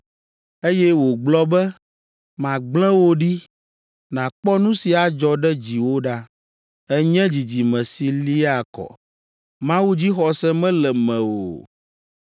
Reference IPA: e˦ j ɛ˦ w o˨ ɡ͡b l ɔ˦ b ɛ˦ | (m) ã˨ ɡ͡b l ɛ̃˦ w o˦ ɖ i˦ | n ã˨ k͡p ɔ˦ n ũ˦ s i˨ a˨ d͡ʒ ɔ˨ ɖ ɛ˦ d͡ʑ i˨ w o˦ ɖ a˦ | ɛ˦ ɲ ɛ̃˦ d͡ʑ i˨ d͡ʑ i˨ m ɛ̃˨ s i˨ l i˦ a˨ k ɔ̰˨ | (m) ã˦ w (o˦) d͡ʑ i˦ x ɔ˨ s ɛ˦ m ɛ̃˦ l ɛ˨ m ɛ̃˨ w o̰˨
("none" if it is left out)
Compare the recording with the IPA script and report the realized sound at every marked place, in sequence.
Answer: m, m, u˦

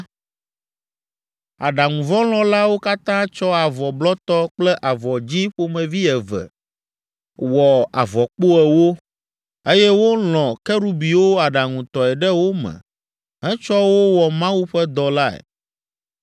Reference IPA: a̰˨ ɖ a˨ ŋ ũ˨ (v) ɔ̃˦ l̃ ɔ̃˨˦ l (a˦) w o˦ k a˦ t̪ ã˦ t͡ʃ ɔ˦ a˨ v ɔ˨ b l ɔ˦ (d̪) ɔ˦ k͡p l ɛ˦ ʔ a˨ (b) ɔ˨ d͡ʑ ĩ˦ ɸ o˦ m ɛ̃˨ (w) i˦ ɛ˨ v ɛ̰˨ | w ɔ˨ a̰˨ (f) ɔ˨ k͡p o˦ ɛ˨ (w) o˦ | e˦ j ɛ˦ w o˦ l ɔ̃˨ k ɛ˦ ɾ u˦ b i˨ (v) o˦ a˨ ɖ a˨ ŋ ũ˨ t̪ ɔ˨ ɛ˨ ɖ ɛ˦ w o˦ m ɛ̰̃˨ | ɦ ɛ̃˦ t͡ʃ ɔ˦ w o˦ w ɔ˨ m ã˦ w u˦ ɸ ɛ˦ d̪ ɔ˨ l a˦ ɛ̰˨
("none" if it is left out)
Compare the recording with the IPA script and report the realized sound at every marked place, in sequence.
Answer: v, a˦, t̪, v, v, v, w, w

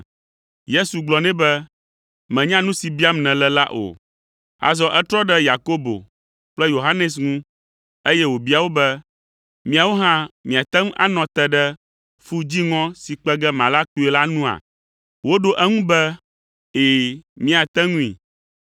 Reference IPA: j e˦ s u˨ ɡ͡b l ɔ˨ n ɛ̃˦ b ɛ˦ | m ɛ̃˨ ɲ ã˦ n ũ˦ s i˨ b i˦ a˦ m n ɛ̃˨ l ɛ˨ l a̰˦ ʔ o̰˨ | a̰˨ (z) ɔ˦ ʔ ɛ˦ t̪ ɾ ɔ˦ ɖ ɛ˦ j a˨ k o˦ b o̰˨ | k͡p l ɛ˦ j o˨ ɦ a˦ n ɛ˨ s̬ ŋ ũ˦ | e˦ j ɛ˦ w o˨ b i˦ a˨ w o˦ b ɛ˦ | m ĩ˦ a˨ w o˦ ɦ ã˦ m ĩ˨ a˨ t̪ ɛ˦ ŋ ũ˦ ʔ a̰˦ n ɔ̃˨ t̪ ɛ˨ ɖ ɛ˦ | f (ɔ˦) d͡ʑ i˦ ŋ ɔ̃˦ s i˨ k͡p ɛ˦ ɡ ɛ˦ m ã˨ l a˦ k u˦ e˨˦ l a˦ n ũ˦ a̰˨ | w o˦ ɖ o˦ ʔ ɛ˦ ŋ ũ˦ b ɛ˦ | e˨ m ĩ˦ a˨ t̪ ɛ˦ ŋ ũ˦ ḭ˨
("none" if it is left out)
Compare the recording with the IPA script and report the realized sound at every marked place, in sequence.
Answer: z, u˦

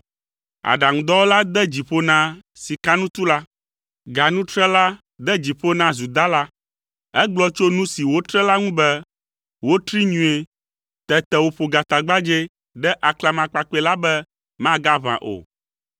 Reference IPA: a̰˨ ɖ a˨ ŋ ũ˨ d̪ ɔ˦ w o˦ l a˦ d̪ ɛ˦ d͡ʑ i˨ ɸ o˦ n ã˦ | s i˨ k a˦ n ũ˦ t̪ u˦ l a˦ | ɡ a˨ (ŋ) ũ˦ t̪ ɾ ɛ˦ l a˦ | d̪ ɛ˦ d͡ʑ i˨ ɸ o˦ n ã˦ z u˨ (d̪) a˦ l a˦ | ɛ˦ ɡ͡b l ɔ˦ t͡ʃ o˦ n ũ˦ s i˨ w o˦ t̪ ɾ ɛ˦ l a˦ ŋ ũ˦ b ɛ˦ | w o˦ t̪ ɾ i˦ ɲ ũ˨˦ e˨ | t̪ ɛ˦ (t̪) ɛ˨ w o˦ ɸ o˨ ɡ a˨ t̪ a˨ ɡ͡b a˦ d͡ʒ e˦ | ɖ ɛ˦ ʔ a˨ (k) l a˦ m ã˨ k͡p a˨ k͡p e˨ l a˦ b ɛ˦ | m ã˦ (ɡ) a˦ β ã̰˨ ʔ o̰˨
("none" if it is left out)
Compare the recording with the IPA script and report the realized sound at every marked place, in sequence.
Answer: n, d̪, t̪, k, ɡ

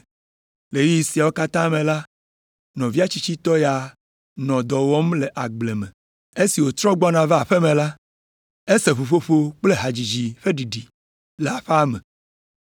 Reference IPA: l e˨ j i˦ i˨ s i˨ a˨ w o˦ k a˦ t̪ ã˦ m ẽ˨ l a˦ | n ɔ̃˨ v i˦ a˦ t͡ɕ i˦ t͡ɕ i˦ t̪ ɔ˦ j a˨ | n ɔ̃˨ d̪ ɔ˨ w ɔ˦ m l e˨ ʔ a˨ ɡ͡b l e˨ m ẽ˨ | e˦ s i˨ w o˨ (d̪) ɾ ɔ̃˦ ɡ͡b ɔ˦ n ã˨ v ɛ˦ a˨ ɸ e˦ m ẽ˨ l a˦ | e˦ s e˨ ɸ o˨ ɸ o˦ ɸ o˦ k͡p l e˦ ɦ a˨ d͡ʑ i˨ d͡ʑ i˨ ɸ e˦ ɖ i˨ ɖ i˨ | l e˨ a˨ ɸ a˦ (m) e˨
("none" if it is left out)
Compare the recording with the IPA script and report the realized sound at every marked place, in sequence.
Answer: t̪, m

